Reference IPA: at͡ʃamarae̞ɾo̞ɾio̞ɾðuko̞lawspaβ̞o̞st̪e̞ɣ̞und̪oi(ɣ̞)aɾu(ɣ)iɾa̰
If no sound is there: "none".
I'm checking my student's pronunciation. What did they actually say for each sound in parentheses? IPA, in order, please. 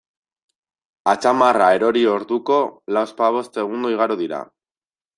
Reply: ɣ̞, ð

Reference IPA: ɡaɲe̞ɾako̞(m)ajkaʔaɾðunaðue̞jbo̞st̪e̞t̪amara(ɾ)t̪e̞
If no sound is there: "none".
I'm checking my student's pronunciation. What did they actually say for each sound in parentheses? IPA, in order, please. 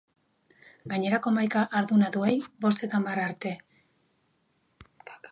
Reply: m, ɾ

